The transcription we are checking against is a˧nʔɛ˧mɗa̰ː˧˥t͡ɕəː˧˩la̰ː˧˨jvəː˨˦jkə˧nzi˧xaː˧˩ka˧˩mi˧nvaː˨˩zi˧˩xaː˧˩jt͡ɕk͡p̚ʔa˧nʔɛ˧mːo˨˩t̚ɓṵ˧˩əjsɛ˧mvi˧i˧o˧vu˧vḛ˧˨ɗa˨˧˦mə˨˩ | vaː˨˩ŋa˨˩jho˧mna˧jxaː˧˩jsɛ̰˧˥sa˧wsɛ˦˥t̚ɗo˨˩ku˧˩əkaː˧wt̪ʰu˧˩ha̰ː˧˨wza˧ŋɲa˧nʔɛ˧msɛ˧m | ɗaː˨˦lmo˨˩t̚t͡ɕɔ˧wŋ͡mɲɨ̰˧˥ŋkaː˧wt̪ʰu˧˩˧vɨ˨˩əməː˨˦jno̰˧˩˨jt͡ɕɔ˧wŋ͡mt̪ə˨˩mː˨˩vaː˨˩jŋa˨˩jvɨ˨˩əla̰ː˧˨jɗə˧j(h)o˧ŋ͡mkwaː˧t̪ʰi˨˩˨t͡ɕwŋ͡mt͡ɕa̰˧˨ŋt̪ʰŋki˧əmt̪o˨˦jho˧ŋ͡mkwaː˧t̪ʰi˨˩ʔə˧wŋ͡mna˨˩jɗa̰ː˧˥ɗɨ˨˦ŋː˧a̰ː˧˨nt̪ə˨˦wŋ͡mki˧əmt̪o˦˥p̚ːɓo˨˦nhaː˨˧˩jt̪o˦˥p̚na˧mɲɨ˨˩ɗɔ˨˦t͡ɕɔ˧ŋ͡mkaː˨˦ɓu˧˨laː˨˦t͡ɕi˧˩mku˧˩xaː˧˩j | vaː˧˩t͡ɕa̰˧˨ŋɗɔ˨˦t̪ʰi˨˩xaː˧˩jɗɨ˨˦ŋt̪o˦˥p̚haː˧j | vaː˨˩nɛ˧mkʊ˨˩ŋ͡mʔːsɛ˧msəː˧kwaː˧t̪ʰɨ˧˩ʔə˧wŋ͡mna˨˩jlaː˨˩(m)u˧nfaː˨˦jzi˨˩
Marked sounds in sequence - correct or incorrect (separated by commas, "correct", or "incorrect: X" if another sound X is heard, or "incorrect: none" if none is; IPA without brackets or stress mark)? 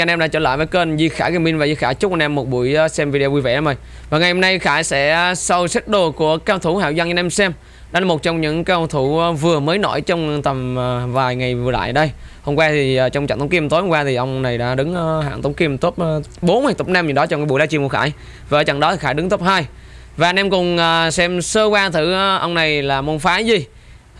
correct, correct